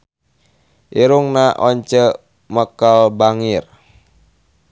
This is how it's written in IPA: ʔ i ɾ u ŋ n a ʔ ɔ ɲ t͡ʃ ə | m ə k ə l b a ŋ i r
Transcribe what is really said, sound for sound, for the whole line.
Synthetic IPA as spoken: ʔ i ɾ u ŋ n a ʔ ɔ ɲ t͡ʃ ə | m ə k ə l b a ŋ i r